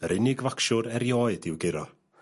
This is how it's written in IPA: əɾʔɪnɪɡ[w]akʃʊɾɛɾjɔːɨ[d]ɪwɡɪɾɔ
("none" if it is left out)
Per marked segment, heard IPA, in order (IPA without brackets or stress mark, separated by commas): v, d